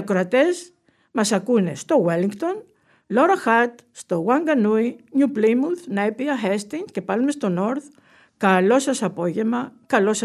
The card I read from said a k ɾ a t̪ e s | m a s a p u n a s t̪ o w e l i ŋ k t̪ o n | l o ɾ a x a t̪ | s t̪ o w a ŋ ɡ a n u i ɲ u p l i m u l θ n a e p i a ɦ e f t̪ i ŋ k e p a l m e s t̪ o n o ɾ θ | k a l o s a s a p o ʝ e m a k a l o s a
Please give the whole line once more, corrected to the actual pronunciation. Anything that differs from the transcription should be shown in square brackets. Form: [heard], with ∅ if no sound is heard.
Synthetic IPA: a k ɾ a t̪ e s | m a s a [k] u n [e] s t̪ o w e l i ŋ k t̪ o n | l o ɾ a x a t̪ | s t̪ o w a ŋ ɡ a n u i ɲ u p l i m u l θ n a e p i a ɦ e [s] t̪ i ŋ k e p a l m e s t̪ o n o ɾ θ | k a l o s a s a p o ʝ e m a k a l o s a